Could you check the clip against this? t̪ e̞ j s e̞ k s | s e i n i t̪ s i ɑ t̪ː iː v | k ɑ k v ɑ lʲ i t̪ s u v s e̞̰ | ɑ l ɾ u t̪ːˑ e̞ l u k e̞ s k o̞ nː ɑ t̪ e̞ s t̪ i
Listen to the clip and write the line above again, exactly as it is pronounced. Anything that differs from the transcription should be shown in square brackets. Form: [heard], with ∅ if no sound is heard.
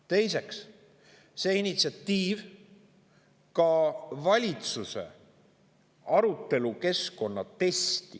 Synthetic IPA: t̪ e̞ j s e̞ k s | s e i n i t̪ s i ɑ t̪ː iː v | k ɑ [∅] v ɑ lʲ i t̪ s u [∅] s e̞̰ | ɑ [∅] ɾ u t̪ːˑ e̞ l u k e̞ s k o̞ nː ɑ t̪ e̞ s t̪ i